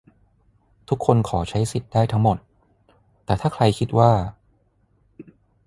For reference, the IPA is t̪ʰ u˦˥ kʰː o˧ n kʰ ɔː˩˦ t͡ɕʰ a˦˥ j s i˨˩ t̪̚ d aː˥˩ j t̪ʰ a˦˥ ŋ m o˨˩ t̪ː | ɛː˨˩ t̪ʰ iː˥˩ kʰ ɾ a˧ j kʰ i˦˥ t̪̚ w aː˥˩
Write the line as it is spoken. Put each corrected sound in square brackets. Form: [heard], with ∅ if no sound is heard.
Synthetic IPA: t̪ʰ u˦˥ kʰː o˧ n kʰ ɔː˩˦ t͡ɕʰ a˦˥ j s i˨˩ t̪̚ d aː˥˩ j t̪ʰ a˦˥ ŋ m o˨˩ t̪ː | ɛː˨˩ t̪ʰ [aː˥˩] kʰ ɾ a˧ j kʰ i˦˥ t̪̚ w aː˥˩